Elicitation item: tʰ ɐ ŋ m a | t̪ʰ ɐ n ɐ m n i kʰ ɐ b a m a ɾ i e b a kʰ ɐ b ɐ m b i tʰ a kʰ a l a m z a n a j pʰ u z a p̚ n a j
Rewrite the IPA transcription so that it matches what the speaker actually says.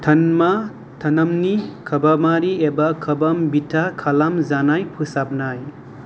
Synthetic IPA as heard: tʰ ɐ n m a | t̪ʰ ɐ n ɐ m n i kʰ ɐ b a m a ɾ i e b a kʰ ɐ b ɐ m b i tʰ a kʰ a l a m z a n a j pʰ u s a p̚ n a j